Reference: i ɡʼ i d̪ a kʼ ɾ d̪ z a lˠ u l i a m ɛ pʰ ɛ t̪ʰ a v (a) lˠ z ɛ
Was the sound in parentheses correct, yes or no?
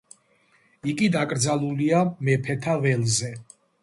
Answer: no